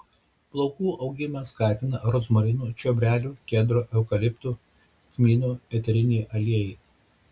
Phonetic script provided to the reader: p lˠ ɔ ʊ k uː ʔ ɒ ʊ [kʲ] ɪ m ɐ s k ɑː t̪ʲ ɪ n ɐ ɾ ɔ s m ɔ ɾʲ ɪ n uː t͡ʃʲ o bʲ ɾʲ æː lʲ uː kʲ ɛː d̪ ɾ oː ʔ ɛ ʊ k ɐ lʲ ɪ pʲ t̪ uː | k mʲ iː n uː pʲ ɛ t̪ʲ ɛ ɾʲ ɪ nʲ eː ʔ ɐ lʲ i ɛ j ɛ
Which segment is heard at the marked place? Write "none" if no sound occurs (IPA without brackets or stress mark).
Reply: ɡʲ